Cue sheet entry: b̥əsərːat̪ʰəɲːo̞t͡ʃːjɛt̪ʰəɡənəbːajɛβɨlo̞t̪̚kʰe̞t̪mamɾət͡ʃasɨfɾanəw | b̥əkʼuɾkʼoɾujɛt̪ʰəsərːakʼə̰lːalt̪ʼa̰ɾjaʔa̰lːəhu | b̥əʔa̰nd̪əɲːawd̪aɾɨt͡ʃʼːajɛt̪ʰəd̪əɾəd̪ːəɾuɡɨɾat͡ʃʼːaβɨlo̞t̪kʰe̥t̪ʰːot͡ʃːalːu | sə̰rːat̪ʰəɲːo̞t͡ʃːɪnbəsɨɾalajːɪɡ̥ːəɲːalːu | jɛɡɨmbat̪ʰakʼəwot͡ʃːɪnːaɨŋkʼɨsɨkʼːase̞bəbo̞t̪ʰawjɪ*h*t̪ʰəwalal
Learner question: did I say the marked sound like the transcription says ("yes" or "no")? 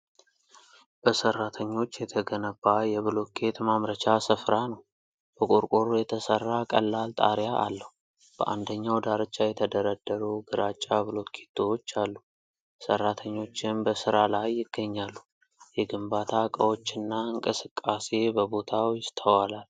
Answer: no